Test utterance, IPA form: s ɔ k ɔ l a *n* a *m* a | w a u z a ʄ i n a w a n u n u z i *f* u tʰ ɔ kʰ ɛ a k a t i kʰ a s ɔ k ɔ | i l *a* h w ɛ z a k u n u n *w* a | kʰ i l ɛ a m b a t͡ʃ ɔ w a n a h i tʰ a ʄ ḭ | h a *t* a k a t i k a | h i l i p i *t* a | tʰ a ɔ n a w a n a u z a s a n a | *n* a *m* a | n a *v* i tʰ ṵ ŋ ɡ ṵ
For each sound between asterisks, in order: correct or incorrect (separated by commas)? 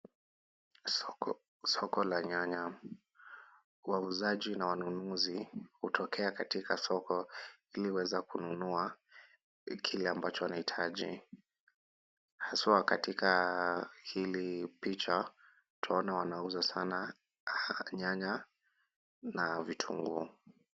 incorrect, incorrect, incorrect, incorrect, incorrect, incorrect, incorrect, incorrect, incorrect, correct